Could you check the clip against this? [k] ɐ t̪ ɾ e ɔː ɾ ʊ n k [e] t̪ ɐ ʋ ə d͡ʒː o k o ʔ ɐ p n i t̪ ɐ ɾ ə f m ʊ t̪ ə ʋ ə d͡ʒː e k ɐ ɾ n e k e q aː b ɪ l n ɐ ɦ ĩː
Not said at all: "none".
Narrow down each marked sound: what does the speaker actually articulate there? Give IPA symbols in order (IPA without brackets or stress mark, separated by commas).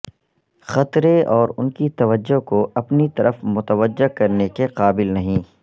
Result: x, i